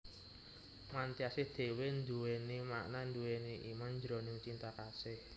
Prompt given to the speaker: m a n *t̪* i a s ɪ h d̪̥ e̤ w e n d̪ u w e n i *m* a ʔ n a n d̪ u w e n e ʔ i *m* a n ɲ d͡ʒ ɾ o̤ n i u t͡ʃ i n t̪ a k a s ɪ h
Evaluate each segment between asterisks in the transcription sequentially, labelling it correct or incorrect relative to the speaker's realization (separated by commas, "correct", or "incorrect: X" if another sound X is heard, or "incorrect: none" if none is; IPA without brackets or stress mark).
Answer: correct, correct, correct